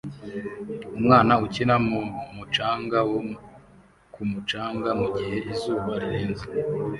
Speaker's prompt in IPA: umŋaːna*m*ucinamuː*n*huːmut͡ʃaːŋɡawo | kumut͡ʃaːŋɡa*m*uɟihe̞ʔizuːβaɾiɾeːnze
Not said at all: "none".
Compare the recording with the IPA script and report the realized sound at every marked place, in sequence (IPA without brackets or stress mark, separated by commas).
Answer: none, n, m